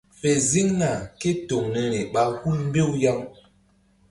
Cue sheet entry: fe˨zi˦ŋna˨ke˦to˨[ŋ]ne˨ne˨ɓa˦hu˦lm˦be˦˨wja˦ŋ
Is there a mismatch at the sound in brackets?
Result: no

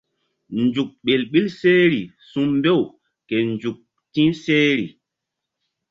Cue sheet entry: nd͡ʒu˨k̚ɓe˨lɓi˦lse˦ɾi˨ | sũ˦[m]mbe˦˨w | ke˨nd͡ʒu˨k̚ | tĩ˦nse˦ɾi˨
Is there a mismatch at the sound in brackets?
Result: no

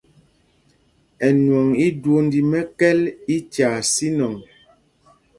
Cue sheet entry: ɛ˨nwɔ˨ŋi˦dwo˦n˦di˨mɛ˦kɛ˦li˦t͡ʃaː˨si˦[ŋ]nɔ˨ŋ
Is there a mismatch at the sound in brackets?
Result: yes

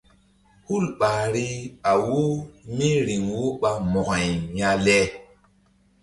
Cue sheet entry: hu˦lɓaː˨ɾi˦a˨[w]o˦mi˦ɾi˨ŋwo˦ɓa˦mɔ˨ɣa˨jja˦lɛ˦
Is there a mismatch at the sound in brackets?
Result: no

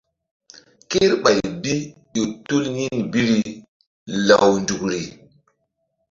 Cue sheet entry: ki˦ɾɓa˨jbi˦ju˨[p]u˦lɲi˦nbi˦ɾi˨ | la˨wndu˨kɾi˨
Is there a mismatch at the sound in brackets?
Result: yes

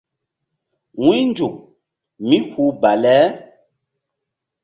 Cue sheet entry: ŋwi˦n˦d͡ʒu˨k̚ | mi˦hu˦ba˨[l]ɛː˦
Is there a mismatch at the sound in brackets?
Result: no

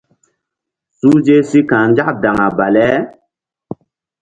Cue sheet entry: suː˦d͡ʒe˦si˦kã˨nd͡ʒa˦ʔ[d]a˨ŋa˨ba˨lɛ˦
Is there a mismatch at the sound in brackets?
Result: no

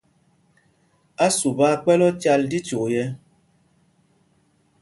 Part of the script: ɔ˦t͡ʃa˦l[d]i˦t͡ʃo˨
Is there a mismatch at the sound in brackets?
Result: no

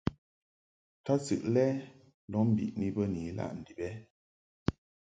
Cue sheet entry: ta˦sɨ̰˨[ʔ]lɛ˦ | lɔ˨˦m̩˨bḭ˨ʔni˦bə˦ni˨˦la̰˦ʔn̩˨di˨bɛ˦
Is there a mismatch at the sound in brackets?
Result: no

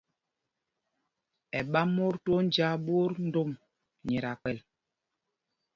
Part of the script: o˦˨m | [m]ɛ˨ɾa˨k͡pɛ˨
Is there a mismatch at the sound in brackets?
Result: yes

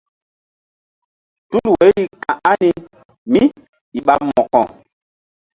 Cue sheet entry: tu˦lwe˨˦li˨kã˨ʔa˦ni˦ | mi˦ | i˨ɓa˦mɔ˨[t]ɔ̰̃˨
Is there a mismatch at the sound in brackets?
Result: yes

